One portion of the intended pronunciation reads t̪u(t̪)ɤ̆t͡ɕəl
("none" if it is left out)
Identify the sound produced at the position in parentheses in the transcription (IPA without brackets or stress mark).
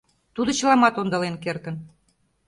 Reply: d̪